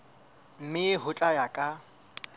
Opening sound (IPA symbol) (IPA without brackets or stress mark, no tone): m̩